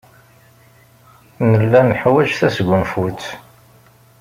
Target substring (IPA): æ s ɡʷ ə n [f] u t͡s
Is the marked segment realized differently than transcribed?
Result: no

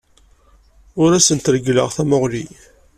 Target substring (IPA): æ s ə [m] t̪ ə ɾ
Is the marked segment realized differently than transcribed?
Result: yes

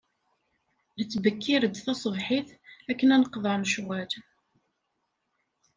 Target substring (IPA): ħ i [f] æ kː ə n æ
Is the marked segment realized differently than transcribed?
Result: yes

